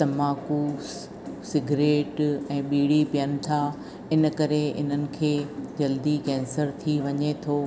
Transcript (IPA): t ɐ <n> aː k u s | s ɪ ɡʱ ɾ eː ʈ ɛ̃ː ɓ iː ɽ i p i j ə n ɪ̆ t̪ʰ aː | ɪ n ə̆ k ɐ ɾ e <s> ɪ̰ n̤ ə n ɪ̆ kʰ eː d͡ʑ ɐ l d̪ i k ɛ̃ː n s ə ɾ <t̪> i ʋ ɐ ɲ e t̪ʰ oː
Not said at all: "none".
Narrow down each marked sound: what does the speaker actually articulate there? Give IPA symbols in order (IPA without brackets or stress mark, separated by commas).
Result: m, none, t̪ʰ